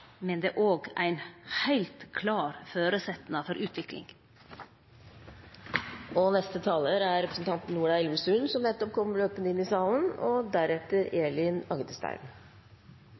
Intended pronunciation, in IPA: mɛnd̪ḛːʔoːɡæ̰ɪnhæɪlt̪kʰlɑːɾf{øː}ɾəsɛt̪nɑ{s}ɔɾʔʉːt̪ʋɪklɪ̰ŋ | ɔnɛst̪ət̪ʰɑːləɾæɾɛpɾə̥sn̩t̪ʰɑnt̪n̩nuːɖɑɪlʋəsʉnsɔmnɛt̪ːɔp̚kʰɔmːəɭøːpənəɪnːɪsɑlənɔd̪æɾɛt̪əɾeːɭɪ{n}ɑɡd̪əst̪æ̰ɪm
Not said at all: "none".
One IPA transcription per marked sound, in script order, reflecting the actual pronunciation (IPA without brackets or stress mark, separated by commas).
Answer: øː, f, n